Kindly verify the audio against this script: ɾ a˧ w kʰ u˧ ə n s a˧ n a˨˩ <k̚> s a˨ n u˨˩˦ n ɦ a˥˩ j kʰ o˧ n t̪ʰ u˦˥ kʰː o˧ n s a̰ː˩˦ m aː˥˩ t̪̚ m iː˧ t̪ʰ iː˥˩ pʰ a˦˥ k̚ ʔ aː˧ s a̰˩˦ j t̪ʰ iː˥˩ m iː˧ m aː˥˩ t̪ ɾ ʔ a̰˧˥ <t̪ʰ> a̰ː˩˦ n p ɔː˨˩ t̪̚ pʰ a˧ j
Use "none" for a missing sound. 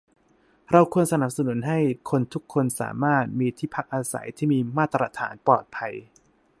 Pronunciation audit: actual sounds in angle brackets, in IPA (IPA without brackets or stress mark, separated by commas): p̚, t̪ʰ